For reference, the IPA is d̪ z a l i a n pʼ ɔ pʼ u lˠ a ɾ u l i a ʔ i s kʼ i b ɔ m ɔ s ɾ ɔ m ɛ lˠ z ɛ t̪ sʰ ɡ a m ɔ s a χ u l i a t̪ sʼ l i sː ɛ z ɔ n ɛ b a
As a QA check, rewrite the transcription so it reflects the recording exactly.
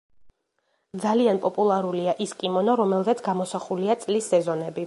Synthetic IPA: d̪ z a l i a n pʼ ɔ pʼ u lˠ a ɾ u l i a ʔ i s kʼ i m ɔ n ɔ ɾ ɔ m ɛ lˠ z ɛ t̪ sʰ ɡ a m ɔ s a χ u l i a t̪ sʼ l i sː ɛ z ɔ n ɛ b i